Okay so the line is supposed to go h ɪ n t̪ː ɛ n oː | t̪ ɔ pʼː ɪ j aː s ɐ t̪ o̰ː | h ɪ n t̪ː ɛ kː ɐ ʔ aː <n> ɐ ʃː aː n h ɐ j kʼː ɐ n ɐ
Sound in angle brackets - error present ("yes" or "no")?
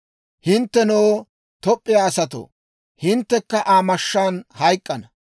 yes